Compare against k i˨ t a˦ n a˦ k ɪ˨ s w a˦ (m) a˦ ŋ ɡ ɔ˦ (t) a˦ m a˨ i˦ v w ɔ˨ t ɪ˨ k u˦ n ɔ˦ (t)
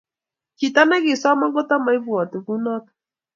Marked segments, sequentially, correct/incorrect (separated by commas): correct, correct, correct